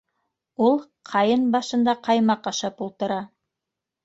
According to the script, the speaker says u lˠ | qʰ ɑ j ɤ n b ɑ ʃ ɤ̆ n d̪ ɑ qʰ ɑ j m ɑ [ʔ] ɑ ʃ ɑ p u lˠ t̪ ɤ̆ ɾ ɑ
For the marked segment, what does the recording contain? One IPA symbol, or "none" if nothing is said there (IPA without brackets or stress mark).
q